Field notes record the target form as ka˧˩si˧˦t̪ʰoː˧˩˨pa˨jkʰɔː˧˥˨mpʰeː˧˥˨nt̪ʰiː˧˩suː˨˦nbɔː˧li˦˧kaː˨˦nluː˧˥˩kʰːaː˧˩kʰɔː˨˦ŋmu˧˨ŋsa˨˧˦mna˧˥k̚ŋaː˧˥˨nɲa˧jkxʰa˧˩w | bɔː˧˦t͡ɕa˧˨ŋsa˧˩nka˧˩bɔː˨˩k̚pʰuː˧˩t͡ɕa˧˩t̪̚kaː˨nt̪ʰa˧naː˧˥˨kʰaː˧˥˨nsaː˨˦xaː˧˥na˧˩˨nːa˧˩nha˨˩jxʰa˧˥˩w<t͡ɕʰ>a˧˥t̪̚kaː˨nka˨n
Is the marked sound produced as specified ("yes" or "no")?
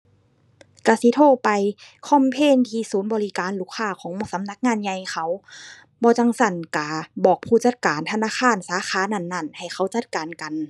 no